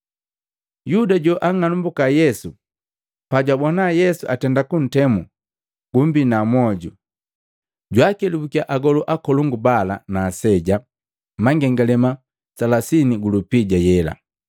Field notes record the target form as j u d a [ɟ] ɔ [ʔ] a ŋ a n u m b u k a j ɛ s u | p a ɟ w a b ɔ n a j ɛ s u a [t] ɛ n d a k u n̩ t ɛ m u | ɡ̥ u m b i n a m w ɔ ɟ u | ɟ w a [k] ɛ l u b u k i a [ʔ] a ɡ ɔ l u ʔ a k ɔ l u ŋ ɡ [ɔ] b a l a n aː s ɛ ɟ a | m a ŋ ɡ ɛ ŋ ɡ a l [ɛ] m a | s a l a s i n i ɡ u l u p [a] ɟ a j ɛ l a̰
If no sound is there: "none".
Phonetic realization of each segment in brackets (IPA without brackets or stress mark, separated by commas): ɟ, ʔ, t, k, ʔ, u, ɛ, i